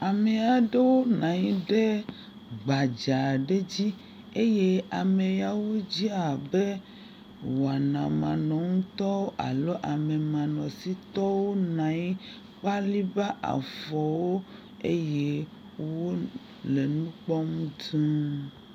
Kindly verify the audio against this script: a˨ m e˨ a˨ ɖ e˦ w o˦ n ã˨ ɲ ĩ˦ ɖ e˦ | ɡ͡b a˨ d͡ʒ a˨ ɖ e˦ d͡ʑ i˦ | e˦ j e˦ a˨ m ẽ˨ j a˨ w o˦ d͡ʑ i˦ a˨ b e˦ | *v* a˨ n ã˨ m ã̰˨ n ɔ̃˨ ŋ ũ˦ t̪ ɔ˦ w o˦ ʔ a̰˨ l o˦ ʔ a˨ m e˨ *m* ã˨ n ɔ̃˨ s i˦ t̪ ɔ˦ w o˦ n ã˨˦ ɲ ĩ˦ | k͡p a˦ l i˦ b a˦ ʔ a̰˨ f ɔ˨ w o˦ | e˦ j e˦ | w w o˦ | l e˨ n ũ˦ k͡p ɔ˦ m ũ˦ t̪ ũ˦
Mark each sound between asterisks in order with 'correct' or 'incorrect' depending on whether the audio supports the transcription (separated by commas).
incorrect, correct